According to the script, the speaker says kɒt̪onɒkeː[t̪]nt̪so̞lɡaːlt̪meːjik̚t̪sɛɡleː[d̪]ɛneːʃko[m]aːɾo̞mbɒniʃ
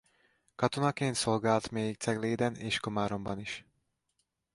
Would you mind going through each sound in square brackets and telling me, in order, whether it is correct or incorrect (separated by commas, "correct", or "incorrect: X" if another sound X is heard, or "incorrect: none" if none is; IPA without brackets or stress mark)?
incorrect: none, correct, correct